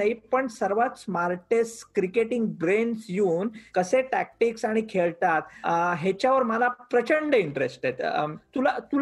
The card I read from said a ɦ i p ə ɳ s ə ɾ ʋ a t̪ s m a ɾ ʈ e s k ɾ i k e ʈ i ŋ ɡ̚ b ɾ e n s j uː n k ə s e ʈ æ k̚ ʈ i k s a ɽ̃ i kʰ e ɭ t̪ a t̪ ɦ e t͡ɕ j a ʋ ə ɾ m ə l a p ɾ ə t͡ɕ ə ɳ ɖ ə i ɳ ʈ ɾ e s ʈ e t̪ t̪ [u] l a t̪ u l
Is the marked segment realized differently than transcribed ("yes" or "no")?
no